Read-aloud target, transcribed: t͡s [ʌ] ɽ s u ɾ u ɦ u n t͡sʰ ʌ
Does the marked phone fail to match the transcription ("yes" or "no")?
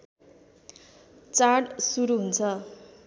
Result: yes